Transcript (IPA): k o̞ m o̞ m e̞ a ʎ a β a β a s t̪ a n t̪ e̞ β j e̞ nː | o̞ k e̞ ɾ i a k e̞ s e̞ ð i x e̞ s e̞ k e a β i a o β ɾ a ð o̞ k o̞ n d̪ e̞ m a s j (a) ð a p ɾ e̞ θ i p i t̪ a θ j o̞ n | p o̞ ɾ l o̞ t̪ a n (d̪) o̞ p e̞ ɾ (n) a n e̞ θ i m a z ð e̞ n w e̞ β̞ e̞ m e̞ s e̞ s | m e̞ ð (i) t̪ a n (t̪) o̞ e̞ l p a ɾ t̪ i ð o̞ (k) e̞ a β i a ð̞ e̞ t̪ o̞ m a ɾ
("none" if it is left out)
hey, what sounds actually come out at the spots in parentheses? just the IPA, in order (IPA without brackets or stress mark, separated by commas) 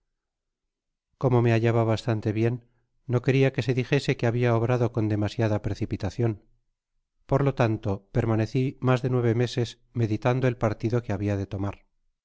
a, t̪, m, i, d̪, k